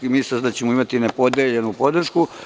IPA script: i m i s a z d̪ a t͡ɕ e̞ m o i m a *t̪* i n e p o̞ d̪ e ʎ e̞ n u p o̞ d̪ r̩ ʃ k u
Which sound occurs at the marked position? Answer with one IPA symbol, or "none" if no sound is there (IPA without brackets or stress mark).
t̪